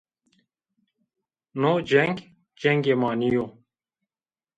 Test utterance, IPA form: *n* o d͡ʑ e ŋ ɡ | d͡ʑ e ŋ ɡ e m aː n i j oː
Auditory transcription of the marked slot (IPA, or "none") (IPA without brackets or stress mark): n